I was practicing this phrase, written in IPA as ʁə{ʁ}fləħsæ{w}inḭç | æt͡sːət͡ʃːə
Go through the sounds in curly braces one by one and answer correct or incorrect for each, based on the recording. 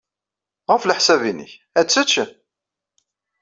incorrect: none, incorrect: v

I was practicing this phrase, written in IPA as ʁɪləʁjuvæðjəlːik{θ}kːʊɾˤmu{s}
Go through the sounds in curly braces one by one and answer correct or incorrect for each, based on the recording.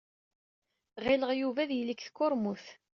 correct, incorrect: θ

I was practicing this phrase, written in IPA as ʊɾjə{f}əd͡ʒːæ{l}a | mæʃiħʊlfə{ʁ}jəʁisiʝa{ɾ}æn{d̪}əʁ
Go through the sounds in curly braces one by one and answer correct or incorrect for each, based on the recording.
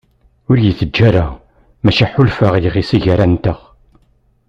incorrect: θ, incorrect: ɾ, correct, correct, incorrect: t̪

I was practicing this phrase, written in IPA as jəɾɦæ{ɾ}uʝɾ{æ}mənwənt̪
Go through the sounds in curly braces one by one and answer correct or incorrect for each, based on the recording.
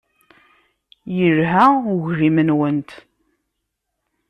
incorrect: none, incorrect: i

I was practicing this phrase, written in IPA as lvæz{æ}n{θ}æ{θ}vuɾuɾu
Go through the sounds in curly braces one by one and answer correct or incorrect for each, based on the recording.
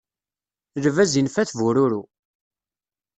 incorrect: i, incorrect: f, correct

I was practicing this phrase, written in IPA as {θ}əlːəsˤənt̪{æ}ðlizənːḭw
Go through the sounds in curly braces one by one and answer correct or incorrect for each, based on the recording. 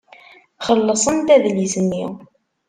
incorrect: χ, correct

